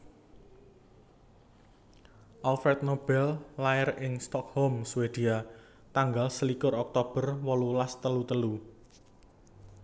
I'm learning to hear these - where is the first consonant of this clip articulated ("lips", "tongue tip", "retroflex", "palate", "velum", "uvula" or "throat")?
throat